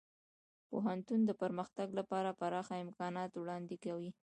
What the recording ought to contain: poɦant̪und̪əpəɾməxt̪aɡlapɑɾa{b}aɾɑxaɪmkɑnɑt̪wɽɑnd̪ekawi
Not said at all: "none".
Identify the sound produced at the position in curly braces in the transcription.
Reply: p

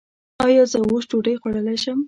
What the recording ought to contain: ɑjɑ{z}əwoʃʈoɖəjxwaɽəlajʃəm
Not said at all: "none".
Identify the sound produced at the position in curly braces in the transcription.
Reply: z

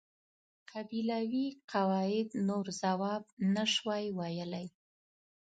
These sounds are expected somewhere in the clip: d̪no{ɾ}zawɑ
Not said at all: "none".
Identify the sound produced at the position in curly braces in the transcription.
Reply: ɾ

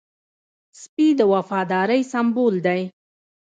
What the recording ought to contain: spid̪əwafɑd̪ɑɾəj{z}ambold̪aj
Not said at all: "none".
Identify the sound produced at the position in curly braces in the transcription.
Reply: s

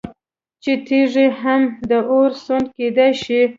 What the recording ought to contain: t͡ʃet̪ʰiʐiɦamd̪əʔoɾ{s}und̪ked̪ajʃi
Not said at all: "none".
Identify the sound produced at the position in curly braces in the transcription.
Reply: s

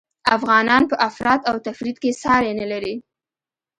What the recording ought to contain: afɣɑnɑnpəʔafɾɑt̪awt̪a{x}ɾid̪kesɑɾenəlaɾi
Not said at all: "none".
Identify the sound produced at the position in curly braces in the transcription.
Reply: f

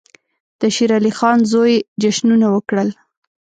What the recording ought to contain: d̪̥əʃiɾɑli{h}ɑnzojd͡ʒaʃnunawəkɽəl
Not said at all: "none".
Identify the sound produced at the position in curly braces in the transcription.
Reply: x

